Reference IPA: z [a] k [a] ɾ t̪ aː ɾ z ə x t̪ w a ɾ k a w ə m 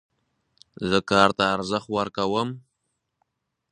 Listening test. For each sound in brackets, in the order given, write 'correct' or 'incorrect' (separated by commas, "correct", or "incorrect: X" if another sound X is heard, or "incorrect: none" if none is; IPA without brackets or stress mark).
incorrect: ə, incorrect: ɑ